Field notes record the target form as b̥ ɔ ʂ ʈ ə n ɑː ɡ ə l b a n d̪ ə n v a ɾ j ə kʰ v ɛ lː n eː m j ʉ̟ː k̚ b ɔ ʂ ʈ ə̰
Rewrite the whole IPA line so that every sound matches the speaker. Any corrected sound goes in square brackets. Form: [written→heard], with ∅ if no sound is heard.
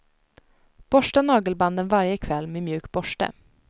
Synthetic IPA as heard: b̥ ɔ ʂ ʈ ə n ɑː ɡ ə l b a n d̪ ə n v a ɾ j ə kʰ v ɛ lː [n→m] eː m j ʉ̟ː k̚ b ɔ ʂ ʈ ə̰